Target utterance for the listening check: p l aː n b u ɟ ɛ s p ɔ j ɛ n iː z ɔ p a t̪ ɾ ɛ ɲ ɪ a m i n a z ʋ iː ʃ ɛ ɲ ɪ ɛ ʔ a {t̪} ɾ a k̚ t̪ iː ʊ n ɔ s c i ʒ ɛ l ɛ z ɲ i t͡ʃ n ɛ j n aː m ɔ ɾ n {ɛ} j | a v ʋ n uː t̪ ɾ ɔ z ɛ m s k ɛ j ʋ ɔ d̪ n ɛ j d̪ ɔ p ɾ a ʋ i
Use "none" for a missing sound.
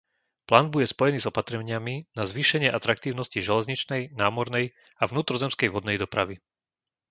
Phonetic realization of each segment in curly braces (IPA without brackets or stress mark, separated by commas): t̪, ɛ